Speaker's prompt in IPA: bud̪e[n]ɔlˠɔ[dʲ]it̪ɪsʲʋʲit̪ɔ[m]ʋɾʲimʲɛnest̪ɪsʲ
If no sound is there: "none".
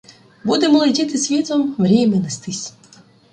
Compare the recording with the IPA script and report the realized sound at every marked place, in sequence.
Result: m, dʲ, m

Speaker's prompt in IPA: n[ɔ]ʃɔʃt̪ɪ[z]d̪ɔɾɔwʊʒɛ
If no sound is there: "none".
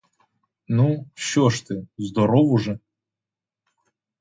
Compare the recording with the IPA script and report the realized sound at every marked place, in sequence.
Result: u, z

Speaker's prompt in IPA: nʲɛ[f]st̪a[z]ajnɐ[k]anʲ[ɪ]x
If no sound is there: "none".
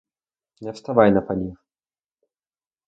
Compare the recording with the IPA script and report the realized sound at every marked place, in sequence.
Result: f, v, p, i

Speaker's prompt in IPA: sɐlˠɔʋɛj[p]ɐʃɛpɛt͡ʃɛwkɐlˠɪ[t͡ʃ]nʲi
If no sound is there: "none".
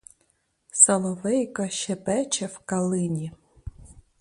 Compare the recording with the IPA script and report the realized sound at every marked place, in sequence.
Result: k, none

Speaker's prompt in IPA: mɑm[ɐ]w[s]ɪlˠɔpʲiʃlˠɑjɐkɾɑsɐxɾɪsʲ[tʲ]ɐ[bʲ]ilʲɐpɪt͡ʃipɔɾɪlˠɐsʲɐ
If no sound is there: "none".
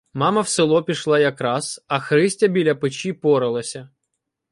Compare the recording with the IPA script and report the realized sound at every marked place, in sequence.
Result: ɐ, s, tʲ, bʲ

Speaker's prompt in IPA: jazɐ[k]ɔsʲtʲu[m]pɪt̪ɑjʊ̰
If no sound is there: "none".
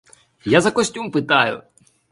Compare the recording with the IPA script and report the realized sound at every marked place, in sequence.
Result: k, m

